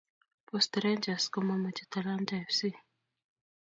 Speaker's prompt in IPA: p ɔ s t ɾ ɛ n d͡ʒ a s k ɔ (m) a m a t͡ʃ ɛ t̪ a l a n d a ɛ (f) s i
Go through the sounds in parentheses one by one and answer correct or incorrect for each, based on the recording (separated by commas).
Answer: correct, correct